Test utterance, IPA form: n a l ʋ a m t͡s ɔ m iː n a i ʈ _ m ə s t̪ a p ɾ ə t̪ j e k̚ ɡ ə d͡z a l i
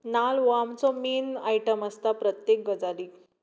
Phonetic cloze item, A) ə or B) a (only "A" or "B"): A